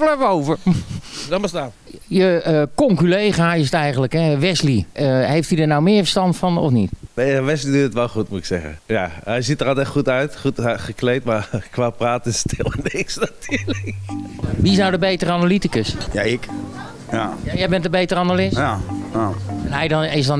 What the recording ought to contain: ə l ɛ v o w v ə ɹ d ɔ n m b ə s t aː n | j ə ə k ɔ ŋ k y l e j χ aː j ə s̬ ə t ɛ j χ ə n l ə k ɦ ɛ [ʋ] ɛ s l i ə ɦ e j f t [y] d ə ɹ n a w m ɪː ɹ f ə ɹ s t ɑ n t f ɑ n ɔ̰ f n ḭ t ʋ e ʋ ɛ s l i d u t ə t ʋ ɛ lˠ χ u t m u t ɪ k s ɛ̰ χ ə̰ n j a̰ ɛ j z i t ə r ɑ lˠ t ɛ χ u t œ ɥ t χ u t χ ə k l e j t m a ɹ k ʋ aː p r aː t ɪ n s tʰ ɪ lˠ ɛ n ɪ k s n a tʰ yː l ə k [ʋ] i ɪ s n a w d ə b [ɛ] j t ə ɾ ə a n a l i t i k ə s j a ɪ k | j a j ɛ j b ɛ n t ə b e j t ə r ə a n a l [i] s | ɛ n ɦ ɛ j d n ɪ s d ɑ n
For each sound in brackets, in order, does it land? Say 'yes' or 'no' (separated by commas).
yes, no, yes, no, no